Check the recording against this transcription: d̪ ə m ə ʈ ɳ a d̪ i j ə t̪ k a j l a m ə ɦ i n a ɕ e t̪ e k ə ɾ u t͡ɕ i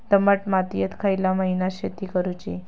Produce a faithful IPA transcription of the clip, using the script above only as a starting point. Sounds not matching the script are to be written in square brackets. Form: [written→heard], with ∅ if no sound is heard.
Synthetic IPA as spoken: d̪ ə m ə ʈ [ɳ→m] a [d̪→t̪] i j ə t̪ [k→kʰ] a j l a m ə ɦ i n a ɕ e t̪ [e→i] k ə ɾ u t͡ɕ i

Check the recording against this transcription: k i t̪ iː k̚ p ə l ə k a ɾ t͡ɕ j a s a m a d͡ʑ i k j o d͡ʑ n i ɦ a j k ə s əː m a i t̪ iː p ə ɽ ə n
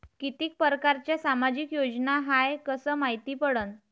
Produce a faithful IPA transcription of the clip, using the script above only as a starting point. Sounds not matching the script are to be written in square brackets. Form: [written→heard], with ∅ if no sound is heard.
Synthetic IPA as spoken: k i t̪ iː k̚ p ə [l→ɾ] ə k a ɾ t͡ɕ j a s a m a d͡ʑ i k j o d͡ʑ n [i→a] ɦ a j k ə s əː m a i t̪ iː p ə ɽ ə n

